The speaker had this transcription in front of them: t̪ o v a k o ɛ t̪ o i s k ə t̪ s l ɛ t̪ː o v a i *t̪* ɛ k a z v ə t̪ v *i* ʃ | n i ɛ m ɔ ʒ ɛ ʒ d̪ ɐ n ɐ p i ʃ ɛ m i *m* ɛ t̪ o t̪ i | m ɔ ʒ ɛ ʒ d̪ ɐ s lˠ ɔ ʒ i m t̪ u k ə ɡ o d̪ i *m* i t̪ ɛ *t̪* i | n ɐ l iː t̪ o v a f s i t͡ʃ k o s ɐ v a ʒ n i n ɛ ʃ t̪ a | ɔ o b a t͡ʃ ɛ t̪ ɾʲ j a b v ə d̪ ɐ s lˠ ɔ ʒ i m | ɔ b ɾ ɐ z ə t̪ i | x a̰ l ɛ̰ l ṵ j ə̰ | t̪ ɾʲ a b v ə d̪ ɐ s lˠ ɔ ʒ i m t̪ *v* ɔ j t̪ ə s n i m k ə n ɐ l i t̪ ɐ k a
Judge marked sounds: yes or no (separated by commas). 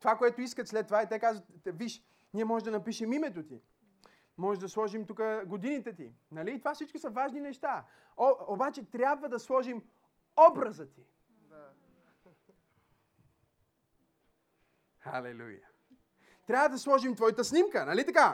yes, yes, yes, no, yes, yes